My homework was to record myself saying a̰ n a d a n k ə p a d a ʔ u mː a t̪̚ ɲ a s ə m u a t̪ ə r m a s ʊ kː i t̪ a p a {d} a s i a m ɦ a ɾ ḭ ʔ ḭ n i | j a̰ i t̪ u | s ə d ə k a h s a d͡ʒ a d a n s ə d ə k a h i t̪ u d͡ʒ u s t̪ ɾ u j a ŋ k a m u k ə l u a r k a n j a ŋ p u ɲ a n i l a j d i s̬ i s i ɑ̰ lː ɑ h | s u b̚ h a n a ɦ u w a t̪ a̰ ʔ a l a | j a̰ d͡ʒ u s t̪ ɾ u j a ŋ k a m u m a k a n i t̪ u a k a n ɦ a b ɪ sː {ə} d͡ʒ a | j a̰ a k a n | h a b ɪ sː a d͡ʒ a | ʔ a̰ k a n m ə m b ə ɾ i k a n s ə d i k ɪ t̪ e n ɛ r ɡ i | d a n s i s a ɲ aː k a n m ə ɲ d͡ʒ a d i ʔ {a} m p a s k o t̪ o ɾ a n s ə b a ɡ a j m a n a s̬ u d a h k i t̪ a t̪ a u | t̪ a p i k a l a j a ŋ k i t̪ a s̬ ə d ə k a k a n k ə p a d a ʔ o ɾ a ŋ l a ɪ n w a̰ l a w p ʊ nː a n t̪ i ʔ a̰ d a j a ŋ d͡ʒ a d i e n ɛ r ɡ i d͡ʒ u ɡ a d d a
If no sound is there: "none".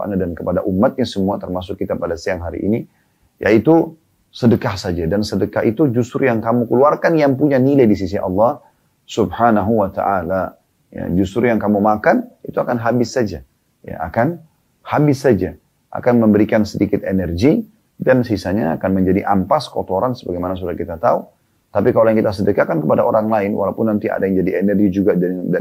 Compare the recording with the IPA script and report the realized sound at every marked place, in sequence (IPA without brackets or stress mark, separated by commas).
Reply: d, a, a